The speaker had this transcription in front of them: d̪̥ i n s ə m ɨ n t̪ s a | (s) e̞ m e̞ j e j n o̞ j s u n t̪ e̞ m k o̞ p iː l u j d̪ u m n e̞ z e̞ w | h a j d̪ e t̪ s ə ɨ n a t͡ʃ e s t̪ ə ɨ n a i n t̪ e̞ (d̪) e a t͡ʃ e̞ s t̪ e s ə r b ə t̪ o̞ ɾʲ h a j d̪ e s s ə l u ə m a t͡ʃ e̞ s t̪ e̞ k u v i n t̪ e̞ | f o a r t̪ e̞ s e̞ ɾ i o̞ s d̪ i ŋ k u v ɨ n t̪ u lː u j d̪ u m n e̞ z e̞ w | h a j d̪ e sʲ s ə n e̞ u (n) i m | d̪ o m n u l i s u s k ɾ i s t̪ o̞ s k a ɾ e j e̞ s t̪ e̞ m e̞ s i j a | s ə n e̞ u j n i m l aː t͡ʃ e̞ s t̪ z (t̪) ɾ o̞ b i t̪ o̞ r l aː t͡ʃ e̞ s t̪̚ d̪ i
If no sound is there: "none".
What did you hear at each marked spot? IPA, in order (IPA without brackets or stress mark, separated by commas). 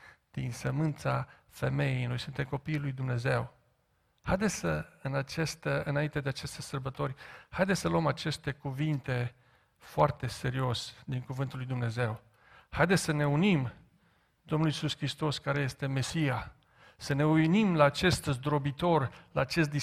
f, d̪, n, d̪